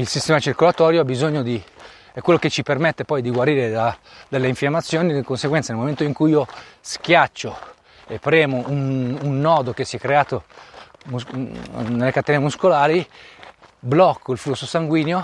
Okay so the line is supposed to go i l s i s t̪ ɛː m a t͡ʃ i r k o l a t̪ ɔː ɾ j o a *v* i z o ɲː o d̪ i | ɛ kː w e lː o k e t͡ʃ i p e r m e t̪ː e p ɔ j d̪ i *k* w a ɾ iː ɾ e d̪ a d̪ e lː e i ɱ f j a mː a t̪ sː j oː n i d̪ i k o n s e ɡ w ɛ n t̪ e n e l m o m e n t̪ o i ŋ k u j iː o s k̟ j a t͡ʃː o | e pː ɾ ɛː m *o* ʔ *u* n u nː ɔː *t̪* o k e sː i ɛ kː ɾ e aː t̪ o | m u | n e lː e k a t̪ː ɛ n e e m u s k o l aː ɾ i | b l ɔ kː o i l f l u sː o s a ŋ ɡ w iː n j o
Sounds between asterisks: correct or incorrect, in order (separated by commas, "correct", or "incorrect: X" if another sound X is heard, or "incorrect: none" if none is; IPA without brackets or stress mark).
incorrect: b, incorrect: ɡ, correct, correct, incorrect: d̪